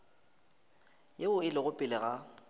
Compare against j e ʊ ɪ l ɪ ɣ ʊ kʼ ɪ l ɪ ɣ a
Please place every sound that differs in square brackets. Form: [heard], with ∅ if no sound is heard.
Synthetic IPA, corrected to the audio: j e ʊ ɪ l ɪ ɣ ʊ [pʼ] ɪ l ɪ ɣ a